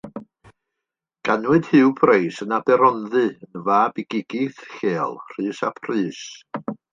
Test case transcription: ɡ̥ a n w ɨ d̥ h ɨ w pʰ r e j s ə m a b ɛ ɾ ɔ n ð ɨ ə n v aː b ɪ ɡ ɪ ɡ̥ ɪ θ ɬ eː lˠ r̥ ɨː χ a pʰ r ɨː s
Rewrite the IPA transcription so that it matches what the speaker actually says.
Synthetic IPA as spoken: ɡ̥ a n w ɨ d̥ h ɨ w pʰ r e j s ə n a b ɛ ɾ ɔ n ð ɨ ə n v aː b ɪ ɡ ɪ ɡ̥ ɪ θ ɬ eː lˠ r̥ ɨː s a pʰ r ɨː s